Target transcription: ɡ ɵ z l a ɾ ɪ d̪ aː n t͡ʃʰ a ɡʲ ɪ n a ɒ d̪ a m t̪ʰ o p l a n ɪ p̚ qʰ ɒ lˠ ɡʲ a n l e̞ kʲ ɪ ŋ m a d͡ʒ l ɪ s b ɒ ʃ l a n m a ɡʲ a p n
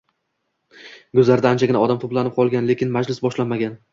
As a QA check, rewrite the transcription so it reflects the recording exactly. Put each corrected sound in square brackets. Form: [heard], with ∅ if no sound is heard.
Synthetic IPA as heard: ɡ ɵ z l a ɾ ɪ d̪ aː n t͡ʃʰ a ɡʲ ɪ n a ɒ d̪ a m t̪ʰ o p l a n ɪ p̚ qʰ ɒ lˠ ɡʲ a n l e̞ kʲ ɪ [n] m a d͡ʒ l ɪ s b ɒ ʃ l a n m a ɡʲ a [∅] n